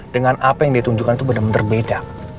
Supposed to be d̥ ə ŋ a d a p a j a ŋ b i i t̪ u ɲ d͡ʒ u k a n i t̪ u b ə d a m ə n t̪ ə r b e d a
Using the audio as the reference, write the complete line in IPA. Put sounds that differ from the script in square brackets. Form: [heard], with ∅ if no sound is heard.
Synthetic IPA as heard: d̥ ə ŋ a [n] a p a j a ŋ [d] i [a] t̪ u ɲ d͡ʒ u k a n i t̪ u b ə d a m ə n t̪ ə r b e d a